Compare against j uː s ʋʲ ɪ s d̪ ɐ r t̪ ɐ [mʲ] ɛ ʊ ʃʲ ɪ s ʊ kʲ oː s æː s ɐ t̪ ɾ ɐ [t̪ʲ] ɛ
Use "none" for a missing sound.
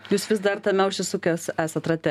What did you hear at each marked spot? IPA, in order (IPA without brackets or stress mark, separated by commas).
mʲ, t̪ʲ